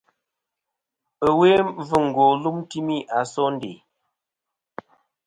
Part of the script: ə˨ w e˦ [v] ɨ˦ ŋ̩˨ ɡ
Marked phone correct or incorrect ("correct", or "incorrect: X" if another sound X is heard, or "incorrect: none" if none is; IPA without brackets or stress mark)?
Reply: correct